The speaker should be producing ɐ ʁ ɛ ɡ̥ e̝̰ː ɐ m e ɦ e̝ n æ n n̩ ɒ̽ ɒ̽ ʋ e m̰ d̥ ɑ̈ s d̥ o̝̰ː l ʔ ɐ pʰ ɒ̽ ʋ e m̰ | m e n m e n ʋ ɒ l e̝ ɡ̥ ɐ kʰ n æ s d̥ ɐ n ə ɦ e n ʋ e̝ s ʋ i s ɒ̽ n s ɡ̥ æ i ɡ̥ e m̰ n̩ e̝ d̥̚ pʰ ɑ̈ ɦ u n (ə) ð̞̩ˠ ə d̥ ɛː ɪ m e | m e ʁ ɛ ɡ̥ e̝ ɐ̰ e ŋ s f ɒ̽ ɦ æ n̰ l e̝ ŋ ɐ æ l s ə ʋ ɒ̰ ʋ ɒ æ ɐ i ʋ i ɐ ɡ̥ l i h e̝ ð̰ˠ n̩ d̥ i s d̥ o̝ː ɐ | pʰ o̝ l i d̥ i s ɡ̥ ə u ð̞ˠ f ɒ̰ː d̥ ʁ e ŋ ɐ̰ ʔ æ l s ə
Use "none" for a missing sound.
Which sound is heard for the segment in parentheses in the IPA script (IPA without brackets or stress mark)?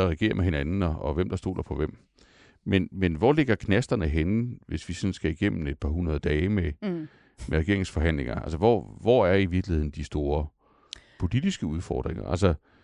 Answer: ɐ